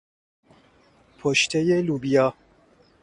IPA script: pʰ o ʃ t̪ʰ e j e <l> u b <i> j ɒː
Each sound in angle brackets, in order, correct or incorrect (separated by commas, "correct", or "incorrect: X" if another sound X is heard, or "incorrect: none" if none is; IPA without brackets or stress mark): correct, correct